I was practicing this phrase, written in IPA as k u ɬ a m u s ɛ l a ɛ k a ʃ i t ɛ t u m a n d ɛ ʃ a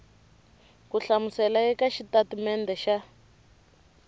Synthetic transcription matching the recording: k u ɬ a m u s ɛ l a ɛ k a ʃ i t a t u m ɛ n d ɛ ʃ a